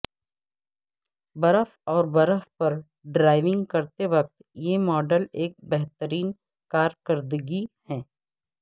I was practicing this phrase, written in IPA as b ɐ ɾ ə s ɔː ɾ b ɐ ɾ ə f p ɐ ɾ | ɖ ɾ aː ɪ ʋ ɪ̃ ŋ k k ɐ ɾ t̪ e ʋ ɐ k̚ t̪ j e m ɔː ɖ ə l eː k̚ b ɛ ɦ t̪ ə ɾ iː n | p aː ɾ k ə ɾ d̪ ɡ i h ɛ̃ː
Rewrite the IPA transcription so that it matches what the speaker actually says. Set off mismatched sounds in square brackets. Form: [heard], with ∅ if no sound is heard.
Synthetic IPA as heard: b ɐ ɾ ə [f] ɔː ɾ b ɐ ɾ ə f p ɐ ɾ | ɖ ɾ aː ɪ ʋ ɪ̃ ŋ [ɡ] k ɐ ɾ t̪ e ʋ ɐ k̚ t̪ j e m ɔː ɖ ə l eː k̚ b ɛ ɦ t̪ ə ɾ iː n | [k] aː ɾ k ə ɾ d̪ ɡ i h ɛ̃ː